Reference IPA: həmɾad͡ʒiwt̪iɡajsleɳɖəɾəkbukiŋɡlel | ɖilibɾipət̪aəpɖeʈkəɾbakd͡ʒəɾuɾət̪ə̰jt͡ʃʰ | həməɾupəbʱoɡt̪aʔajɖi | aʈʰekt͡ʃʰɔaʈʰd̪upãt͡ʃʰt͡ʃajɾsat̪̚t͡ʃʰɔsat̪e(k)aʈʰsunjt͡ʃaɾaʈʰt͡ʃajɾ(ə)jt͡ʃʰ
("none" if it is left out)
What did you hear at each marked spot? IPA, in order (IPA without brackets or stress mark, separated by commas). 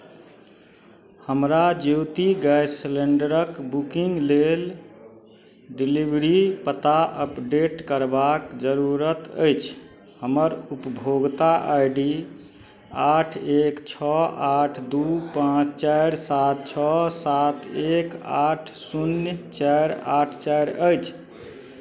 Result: k, ə